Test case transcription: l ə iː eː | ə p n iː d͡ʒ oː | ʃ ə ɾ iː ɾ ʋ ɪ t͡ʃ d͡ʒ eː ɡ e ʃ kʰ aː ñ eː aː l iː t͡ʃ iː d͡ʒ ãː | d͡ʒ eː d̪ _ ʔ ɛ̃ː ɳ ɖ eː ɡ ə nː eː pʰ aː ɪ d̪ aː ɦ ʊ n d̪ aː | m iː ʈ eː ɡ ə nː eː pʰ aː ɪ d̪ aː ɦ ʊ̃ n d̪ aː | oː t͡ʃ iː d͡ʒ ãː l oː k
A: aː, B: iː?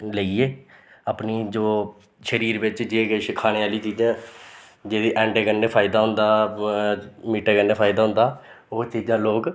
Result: B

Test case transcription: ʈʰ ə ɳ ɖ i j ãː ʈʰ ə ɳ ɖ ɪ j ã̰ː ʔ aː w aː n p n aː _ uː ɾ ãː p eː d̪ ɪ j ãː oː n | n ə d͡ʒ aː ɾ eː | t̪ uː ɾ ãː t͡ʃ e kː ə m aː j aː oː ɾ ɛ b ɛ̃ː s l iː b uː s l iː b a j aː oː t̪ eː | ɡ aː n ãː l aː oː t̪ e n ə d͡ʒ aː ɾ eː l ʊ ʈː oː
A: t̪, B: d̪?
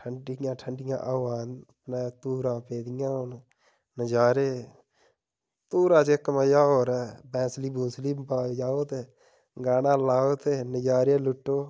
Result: A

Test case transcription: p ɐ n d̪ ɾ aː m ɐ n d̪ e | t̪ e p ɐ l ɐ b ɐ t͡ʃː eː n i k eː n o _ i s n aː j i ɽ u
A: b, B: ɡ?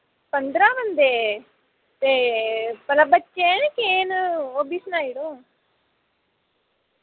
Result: A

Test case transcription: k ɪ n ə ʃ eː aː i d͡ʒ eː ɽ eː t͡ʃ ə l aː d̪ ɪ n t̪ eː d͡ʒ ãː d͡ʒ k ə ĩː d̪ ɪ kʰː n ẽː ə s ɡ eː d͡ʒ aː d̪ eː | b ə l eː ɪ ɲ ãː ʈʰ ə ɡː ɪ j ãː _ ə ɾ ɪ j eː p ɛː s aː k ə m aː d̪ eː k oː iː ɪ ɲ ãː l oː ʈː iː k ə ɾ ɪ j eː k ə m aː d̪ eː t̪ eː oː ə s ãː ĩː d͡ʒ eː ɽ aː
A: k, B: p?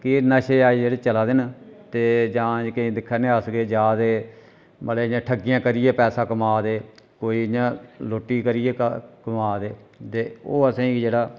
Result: A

